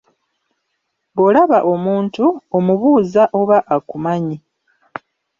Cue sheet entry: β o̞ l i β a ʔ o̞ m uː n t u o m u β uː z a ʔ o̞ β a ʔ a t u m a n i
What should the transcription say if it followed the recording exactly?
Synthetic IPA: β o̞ l a β a ʔ o̞ m uː n t u o m u β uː z a ʔ o̞ β a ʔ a k u m a ɲ i